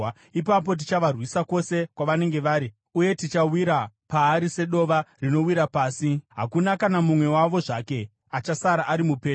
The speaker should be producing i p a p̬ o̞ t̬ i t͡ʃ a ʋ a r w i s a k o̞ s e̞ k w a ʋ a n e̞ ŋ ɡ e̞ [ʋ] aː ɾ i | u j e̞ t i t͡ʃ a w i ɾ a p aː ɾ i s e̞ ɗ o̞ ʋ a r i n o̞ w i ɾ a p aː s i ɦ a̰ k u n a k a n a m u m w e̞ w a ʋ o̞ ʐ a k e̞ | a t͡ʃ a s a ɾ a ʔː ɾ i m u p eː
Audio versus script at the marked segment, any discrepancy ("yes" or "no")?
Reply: no